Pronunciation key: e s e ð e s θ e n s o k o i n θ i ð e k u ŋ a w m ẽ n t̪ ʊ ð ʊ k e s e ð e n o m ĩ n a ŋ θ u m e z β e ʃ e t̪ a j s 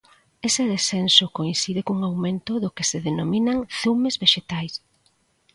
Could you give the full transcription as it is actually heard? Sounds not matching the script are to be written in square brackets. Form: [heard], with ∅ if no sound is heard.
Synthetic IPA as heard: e s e ð e s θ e n s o k o i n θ i ð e k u ŋ a w m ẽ n t̪ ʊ ð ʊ k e s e ð e n o m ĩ n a ŋ θ u m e z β e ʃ e t̪ a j s